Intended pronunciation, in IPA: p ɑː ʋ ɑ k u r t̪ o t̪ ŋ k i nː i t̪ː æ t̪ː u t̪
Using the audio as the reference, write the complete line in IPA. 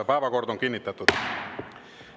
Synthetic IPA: p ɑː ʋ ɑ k o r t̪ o ŋ k i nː i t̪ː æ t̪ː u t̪